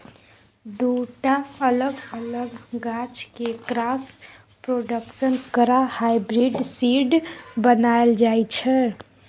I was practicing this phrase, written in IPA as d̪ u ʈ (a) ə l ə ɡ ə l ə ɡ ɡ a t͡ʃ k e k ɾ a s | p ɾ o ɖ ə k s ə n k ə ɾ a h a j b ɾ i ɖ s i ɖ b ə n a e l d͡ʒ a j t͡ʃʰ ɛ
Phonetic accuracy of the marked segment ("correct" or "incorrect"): correct